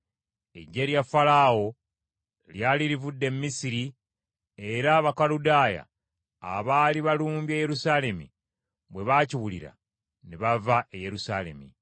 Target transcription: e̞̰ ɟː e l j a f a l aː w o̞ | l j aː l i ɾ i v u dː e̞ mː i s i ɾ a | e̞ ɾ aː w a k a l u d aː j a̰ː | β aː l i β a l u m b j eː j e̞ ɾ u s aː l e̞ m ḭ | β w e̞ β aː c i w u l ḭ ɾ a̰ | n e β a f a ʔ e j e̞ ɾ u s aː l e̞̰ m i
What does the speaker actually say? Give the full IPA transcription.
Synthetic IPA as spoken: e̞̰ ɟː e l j a f a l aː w o̞ | l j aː l i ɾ i v u dː e̞ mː i s i ɾ i | e̞ ɾ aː β a k a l u d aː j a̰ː | β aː l i β a l uː m b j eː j e̞ ɾ u s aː l e̞ m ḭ | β w e̞ β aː c i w u l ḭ ɾ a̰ | n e β a v a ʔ e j e̞ ɾ u s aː l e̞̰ m i